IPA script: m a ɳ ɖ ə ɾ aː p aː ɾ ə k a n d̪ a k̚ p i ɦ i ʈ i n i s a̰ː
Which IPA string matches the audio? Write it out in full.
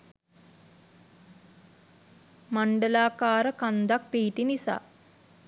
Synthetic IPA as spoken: m a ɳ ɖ ə l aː k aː ɾ ə k a n d̪ a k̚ p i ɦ i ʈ i n i s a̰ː

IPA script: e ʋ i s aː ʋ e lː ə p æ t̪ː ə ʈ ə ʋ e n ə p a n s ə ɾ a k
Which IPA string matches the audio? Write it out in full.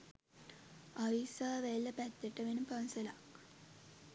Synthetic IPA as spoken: a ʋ i s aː ʋ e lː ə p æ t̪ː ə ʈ ə ʋ e n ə p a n s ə l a k

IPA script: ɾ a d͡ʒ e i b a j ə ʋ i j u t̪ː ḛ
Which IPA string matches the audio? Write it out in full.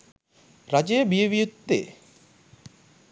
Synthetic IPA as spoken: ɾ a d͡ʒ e j b i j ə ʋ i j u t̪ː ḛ

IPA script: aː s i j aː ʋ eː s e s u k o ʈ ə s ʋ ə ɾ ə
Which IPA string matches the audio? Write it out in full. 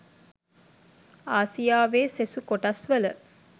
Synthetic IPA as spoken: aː s i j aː ʋ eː s e s u k o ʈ a s ʋ ə l ə

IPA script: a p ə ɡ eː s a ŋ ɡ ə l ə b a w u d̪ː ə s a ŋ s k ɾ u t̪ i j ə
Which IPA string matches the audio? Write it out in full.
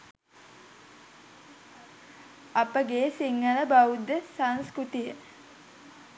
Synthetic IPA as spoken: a p ə ɡ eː s i ŋ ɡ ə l ə b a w u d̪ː ə s a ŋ s k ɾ u t̪ i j ə

